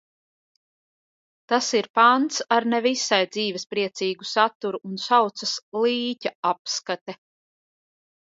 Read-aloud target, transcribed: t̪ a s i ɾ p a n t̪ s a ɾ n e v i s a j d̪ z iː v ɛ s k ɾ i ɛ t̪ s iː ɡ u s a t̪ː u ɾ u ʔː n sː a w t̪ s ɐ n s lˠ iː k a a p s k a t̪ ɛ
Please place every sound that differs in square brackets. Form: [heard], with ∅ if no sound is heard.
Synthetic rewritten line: t̪ a s i ɾ p a n t̪ s a ɾ n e v i s a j d̪ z iː v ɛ s [p] ɾ i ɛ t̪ s iː ɡ u s a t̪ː u ɾ u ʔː n [s] a w t̪ s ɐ [∅] s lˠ iː [c] a a p s k a t̪ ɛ